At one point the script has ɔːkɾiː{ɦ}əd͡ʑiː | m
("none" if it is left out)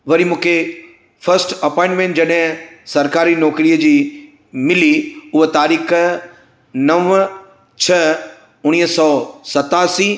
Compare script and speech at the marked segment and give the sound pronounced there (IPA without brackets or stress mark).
none